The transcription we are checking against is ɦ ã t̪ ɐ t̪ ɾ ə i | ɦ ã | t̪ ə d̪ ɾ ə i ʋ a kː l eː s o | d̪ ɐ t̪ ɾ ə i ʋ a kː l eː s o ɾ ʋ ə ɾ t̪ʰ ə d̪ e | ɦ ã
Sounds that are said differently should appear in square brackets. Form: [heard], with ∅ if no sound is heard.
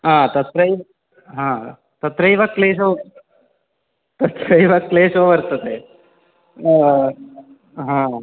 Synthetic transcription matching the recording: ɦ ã t̪ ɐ t̪ ɾ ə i | ɦ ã | t̪ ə [t̪] ɾ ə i ʋ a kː l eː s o | [t̪] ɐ t̪ ɾ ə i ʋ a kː l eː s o [∅] ʋ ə ɾ [t̪] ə [t̪] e | ɦ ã

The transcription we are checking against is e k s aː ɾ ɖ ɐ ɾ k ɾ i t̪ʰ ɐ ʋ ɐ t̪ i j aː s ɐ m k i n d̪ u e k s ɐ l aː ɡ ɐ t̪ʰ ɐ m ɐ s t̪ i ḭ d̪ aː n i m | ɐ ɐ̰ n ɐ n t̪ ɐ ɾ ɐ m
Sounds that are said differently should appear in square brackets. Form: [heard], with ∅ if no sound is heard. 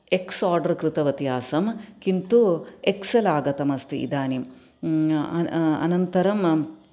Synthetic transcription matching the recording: e k s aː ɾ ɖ ɐ ɾ k ɾ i [t̪] ɐ ʋ ɐ t̪ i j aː s ɐ m k i n [t̪] u e k s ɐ l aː ɡ ɐ [t̪] ɐ m ɐ s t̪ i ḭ d̪ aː n i m | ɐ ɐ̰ n ɐ n t̪ ɐ ɾ ɐ m

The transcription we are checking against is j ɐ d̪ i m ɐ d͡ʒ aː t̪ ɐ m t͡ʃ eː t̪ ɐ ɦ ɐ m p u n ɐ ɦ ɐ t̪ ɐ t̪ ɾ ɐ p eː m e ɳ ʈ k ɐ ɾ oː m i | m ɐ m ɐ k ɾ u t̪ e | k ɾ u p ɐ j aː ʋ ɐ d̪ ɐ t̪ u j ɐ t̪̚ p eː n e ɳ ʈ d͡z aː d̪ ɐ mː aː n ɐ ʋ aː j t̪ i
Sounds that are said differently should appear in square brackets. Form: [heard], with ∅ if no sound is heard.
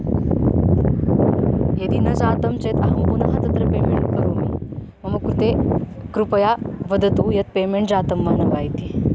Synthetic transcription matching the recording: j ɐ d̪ i [n] ɐ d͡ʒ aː t̪ ɐ m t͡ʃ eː t̪ ɐ ɦ ɐ m p u n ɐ ɦ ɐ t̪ ɐ t̪ ɾ ɐ p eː m e ɳ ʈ k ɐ ɾ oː m i | m ɐ m ɐ k ɾ u t̪ e | k ɾ u p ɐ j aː ʋ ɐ d̪ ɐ t̪ u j ɐ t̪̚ p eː [m] e ɳ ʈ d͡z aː [t̪] ɐ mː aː n ɐ ʋ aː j t̪ i

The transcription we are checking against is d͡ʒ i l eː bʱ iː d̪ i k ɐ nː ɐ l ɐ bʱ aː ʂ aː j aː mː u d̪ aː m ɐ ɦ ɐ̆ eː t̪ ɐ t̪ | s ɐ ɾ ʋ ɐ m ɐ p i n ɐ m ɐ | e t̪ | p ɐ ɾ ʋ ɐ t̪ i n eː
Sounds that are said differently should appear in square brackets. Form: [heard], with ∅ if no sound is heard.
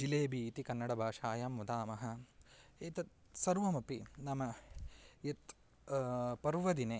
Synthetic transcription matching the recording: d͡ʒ i l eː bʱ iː [t̪] i k ɐ nː ɐ [ɽ] ɐ bʱ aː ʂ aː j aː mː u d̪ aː m ɐ ɦ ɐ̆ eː t̪ ɐ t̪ | s ɐ ɾ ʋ ɐ m ɐ p i n ɐ m ɐ | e t̪ | p ɐ ɾ ʋ ɐ [d̪] i n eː

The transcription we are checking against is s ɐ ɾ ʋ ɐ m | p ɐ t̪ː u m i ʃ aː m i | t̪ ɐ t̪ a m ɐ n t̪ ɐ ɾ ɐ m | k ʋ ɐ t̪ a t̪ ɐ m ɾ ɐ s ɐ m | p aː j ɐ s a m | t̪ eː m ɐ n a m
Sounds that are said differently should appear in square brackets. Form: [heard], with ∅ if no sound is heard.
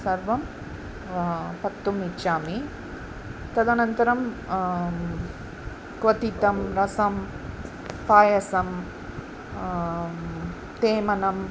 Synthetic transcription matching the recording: s ɐ ɾ ʋ ɐ m | p ɐ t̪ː u m i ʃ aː m i | t̪ ɐ [d̪] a [n] ɐ n t̪ ɐ ɾ ɐ m | k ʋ ɐ t̪ [i] t̪ ɐ m ɾ ɐ s ɐ m | p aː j ɐ s [ɐ] m | t̪ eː m ɐ n [ɐ] m

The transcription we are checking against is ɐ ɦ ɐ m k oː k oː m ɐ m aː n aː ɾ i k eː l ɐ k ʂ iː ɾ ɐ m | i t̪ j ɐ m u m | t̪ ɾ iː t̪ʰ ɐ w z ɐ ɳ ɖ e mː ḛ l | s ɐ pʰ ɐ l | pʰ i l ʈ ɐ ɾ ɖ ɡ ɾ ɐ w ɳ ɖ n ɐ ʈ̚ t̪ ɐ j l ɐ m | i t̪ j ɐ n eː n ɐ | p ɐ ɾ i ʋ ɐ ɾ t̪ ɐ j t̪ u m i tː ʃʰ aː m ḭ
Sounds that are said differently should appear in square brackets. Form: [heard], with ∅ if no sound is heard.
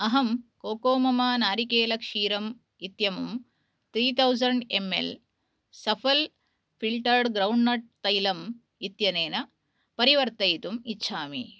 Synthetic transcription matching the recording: ɐ ɦ ɐ m k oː k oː m ɐ m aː n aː ɾ i k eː l ɐ k ʂ iː ɾ ɐ m | i t̪ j ɐ m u m | t̪ ɾ iː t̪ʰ ɐ w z ɐ ɳ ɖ e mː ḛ l | s ɐ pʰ ɐ l | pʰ i l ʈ ɐ ɾ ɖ ɡ ɾ ɐ w ɳ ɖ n ɐ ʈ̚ t̪ ɐ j l ɐ m | i t̪ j ɐ n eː n ɐ | p ɐ ɾ i ʋ ɐ ɾ t̪ ɐ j t̪ u m i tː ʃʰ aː m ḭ

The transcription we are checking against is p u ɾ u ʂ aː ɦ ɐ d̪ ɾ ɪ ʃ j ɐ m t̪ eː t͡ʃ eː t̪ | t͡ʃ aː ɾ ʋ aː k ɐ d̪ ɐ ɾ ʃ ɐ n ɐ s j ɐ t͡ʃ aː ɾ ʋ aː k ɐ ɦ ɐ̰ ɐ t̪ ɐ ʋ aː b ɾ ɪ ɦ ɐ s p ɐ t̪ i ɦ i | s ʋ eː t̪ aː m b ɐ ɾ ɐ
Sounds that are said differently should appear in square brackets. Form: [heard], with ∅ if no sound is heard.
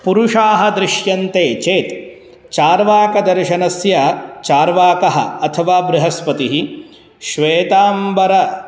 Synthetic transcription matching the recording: p u ɾ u ʂ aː ɦ ɐ d̪ ɾ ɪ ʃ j ɐ [n] t̪ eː t͡ʃ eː t̪ | t͡ʃ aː ɾ ʋ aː k ɐ d̪ ɐ ɾ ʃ ɐ n ɐ s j ɐ t͡ʃ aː ɾ ʋ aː k ɐ ɦ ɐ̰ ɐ [t̪ʰ] ɐ ʋ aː b ɾ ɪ ɦ ɐ s p ɐ t̪ i ɦ i | [ʃ] ʋ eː t̪ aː m b ɐ ɾ ɐ

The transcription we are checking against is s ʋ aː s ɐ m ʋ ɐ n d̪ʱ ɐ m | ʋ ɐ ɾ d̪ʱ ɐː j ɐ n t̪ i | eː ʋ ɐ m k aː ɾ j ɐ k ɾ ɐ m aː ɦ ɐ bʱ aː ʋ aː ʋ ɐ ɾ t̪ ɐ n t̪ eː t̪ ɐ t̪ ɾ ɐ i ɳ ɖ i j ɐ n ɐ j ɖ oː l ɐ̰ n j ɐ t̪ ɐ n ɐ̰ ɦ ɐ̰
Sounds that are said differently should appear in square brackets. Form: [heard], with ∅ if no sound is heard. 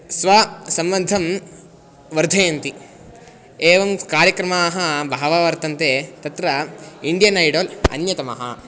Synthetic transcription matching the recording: s ʋ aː s ɐ m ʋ ɐ n d̪ʱ ɐ m | ʋ ɐ ɾ d̪ʱ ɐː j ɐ n t̪ i | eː ʋ ɐ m k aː ɾ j ɐ k ɾ ɐ m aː ɦ ɐ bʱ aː ʋ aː ʋ ɐ ɾ t̪ ɐ n t̪ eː t̪ ɐ t̪ ɾ ɐ i ɳ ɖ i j ɐ n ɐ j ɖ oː l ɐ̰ n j ɐ t̪ ɐ [m] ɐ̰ ɦ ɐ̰

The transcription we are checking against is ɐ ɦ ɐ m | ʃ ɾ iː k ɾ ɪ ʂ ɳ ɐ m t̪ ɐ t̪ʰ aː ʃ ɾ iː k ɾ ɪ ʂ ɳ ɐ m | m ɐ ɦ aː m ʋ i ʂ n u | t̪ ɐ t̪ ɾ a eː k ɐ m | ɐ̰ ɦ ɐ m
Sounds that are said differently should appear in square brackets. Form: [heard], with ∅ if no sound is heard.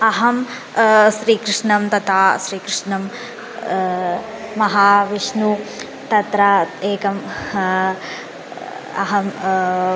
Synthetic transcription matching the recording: ɐ ɦ ɐ m | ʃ ɾ iː k ɾ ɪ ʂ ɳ ɐ m t̪ ɐ t̪ʰ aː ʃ ɾ iː k ɾ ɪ ʂ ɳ ɐ m | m ɐ ɦ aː [∅] ʋ i ʂ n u | t̪ ɐ t̪ ɾ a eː k ɐ m | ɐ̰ ɦ ɐ m

